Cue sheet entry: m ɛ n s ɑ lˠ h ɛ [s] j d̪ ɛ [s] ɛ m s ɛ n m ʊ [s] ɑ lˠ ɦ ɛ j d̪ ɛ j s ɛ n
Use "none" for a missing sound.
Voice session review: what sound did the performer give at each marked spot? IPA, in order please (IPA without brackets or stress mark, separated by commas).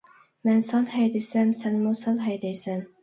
none, s, s